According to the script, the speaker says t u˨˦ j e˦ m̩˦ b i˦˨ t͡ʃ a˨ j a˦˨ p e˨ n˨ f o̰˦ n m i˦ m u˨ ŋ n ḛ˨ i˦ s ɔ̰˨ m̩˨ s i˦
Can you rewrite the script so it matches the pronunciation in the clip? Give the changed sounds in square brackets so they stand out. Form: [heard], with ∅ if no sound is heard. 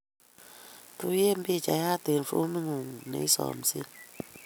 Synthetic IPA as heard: t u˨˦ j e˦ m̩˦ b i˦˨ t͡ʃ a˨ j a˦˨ [t] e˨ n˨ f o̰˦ [∅] m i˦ [ŋ] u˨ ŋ n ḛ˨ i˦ s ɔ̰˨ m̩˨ s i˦